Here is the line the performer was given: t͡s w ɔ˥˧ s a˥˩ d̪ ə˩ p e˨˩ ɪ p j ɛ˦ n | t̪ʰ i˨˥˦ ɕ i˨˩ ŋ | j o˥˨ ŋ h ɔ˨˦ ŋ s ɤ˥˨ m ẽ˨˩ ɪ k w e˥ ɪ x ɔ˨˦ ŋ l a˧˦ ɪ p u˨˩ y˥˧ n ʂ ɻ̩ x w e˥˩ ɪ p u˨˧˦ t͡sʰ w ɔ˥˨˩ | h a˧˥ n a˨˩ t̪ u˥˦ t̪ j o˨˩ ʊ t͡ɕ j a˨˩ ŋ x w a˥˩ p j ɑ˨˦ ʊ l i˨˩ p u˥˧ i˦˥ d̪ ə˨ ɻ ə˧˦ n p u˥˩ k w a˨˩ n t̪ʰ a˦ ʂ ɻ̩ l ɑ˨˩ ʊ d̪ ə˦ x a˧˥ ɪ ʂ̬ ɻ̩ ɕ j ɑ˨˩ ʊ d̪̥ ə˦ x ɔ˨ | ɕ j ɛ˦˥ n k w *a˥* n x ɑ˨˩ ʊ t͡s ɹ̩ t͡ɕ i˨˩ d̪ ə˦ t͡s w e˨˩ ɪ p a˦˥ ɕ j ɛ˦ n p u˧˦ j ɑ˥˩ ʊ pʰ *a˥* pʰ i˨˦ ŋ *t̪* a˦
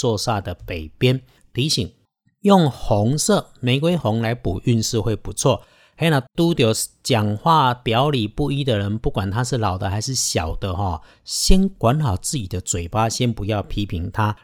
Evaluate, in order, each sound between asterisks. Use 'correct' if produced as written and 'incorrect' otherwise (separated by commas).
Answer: incorrect, incorrect, incorrect